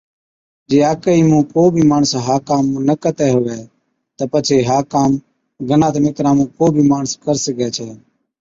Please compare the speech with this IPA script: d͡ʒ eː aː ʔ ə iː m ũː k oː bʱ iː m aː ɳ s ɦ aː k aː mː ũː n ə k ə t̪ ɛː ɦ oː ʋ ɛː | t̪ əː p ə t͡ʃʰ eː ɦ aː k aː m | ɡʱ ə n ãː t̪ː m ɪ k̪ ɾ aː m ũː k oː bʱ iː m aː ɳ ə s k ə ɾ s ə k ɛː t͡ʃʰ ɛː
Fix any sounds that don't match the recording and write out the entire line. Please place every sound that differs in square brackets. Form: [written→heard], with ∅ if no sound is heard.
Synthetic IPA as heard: d͡ʒ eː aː [ʔ→k] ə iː m ũː k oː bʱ iː m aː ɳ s ɦ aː k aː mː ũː n ə k ə t̪ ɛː ɦ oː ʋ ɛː | t̪ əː p ə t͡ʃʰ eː ɦ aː k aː m | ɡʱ ə n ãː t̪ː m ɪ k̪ ɾ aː m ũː k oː bʱ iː m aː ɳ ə s k ə ɾ s ə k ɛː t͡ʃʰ ɛː